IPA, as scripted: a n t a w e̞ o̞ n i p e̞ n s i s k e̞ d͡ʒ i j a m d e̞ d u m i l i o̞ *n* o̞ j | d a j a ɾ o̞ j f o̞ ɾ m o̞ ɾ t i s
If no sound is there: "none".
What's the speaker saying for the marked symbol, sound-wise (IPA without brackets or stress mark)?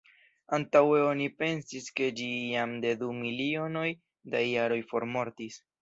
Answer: n